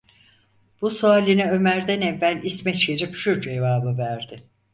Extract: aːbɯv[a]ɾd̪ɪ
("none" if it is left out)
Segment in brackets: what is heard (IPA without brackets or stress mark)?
æ